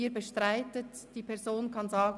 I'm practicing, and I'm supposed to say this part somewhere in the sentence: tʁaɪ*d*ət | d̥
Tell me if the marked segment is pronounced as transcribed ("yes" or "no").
no